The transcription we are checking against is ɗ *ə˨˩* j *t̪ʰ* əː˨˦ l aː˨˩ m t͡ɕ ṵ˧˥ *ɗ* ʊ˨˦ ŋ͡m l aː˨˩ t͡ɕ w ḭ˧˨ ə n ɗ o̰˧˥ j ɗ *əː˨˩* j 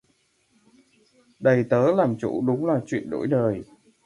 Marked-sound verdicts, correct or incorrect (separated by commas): correct, incorrect, correct, correct